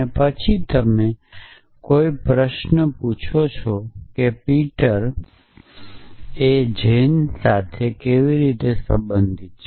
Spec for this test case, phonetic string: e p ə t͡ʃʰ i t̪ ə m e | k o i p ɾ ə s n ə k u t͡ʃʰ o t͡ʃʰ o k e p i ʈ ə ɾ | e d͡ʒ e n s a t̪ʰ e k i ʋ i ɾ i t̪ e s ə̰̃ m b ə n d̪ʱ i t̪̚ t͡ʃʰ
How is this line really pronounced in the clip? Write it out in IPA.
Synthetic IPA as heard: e p ə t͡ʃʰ i t̪ ə m e | k o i p ɾ ə ʃ n ə p u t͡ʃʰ o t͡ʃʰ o k e p i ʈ ə ɾ | e d͡ʒ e n s a t̪ʰ e k e ʋ i ɾ i t̪ e s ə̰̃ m b ə n d̪ʱ i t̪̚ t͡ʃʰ